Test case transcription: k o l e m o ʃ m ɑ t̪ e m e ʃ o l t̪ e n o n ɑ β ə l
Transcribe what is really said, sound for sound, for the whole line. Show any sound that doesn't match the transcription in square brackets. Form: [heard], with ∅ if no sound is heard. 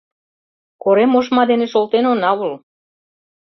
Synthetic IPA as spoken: k o [ɾ] e m o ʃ m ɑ [d̪] e [n] e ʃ o l t̪ e n o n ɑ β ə l